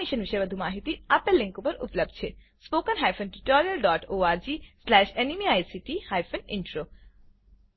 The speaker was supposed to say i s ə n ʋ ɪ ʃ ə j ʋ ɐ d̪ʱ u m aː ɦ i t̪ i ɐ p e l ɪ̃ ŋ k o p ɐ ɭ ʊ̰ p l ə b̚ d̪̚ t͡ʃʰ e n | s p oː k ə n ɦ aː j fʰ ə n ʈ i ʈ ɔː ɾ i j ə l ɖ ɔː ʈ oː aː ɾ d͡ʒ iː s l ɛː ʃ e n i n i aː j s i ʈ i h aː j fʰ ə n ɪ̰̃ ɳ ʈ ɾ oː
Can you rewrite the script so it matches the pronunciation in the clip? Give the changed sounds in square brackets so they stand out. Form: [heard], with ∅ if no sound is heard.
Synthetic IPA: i [ʃ] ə n ʋ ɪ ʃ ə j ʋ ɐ d̪ʱ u m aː ɦ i t̪ i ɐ p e l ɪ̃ ŋ k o p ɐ [ɾ] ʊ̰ p l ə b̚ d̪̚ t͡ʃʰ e [∅] | s p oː k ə n ɦ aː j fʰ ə n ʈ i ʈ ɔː ɾ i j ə l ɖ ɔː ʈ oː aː ɾ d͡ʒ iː s l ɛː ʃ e n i [m] i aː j s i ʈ i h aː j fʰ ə n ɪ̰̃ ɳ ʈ ɾ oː